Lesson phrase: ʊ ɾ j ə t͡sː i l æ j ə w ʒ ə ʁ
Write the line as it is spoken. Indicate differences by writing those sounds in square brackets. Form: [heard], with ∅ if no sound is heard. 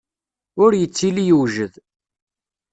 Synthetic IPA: ʊ ɾ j ə t͡sː i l [i] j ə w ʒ ə [ð]